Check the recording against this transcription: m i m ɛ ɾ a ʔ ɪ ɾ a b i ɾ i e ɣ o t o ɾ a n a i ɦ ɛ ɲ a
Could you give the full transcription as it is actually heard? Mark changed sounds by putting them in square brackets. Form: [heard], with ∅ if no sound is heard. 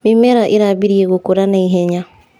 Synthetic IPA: m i m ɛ ɾ a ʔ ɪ ɾ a b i ɾ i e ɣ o [k] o ɾ a n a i ɦ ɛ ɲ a